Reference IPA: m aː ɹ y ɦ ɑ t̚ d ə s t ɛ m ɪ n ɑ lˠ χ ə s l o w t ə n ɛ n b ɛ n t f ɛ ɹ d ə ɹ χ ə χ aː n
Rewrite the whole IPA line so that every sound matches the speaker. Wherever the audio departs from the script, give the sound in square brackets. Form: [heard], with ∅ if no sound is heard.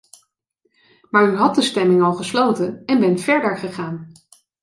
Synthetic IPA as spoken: m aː ɹ y ɦ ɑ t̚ d ə s t ɛ m ɪ [ŋ] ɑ lˠ χ ə s l o w t ə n ɛ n b ɛ n t f ɛ ɹ d ə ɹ χ ə χ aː n